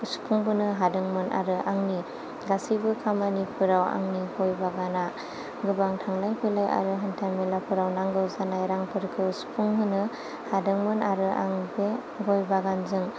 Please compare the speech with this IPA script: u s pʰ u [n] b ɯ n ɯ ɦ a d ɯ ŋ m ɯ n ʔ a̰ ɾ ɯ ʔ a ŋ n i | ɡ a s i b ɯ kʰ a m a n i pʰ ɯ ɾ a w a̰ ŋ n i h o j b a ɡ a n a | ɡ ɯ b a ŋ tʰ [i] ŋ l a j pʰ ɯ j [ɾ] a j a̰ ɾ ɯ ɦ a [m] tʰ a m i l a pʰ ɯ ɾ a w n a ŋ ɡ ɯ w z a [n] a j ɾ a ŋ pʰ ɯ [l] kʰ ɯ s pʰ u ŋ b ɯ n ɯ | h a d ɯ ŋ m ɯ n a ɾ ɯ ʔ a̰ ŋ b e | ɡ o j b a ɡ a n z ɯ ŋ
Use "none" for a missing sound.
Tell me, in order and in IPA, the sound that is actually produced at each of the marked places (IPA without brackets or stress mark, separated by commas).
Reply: ŋ, a, l, n, n, ɾ